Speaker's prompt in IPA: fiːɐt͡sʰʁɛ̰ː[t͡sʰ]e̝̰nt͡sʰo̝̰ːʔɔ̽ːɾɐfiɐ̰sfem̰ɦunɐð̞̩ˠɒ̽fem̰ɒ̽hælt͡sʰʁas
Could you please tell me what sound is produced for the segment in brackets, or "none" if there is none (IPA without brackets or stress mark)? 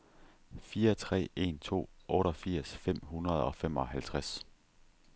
none